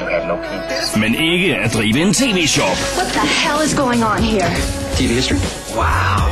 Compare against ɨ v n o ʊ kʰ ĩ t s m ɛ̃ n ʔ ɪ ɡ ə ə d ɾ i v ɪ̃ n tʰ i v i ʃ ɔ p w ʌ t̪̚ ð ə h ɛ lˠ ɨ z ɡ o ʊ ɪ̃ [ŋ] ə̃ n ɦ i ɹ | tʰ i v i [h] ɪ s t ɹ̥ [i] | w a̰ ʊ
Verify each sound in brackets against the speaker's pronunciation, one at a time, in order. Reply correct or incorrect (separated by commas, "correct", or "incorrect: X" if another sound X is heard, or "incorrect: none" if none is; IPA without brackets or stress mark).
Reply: correct, correct, correct